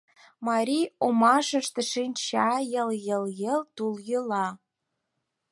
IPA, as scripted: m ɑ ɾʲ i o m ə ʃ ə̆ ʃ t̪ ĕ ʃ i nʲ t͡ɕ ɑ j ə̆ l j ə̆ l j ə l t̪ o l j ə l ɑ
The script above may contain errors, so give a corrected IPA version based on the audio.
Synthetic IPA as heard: m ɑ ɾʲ i o m ɑ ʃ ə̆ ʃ t̪ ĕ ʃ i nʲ t͡ɕ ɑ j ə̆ l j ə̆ l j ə l t̪ u l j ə l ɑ